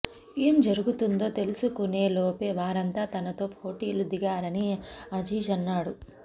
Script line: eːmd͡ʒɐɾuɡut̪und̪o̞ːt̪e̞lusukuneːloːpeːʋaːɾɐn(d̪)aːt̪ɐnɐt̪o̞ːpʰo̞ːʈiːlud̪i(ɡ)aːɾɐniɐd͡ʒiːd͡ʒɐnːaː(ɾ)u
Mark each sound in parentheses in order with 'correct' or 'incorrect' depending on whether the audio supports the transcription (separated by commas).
incorrect, correct, incorrect